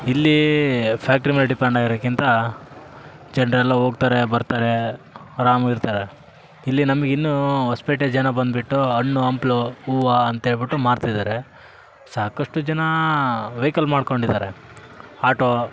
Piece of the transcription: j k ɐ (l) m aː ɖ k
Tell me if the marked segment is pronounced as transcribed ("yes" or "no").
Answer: yes